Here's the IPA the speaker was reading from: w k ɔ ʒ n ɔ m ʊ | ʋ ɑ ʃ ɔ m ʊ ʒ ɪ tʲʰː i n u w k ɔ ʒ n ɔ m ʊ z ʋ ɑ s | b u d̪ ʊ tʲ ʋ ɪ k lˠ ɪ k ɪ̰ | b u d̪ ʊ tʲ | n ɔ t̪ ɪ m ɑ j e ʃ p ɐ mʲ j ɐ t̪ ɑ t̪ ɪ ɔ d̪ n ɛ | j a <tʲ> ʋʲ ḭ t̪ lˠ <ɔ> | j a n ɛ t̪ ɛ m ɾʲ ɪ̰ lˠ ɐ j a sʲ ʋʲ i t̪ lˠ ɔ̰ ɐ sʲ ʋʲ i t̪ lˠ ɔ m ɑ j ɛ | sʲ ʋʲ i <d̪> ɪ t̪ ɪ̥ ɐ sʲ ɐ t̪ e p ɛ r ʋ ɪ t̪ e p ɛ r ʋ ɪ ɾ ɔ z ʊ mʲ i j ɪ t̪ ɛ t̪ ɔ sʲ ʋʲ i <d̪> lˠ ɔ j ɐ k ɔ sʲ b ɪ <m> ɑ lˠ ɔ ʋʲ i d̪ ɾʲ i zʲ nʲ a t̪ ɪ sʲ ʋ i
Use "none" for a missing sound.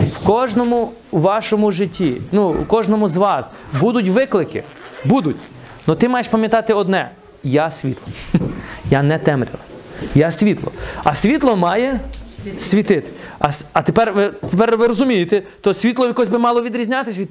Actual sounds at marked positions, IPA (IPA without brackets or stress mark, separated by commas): sʲ, ɔ, t̪, t̪, m